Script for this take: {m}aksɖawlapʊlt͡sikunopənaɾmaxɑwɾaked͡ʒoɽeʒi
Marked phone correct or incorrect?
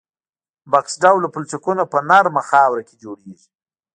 incorrect